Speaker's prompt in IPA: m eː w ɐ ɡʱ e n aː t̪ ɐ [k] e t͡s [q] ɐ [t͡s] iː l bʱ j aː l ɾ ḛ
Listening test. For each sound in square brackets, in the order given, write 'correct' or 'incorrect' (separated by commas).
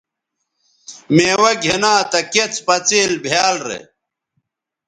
correct, incorrect, correct